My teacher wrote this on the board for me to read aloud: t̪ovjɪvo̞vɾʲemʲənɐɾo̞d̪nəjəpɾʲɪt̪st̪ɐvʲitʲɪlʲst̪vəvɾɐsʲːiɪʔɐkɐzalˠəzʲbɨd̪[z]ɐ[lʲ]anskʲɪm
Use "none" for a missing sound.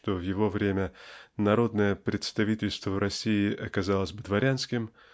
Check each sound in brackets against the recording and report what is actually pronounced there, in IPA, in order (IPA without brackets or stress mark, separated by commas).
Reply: v, ɾʲ